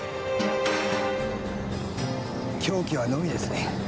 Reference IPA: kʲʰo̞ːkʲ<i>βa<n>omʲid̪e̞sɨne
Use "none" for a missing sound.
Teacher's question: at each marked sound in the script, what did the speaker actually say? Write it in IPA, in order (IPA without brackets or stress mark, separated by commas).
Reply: i, n